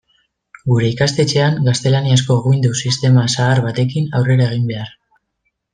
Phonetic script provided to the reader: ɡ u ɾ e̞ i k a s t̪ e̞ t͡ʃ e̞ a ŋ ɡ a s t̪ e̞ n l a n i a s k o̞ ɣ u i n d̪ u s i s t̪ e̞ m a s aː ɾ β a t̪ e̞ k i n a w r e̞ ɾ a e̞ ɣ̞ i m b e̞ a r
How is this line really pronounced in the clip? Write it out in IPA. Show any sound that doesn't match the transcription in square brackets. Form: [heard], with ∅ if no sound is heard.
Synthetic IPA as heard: ɡ u ɾ e̞ i k a s t̪ e̞ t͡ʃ e̞ a ŋ ɡ a s t̪ e̞ [∅] l a n i a s k o̞ ɣ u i n d̪ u s i s t̪ e̞ m a s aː ɾ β a t̪ e̞ k i n a w r e̞ ɾ a e̞ ɣ̞ i m b e̞ a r